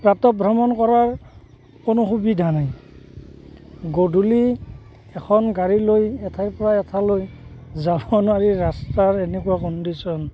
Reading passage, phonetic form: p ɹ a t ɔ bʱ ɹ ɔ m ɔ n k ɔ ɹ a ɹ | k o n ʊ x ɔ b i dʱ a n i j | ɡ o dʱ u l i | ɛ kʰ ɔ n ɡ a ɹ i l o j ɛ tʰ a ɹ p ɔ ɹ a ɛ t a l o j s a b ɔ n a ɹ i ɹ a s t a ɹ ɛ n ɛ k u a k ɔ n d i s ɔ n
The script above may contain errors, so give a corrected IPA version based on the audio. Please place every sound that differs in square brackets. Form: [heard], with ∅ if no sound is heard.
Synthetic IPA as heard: p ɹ a t ɔ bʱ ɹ ɔ m ɔ n k ɔ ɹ a ɹ | k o n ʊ x [u] b i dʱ a n [a] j | ɡ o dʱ u l i | ɛ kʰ ɔ n ɡ a ɹ i l o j ɛ tʰ a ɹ p ɔ ɹ a ɛ [tʰ] a l o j [z] a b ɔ n a ɹ i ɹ a s t a ɹ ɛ n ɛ k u a k ɔ n d i s ɔ n